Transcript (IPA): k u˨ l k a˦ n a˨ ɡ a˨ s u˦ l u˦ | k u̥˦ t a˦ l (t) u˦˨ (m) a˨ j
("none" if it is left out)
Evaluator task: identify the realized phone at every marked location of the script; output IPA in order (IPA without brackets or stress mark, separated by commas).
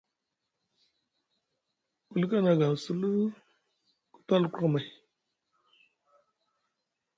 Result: k, m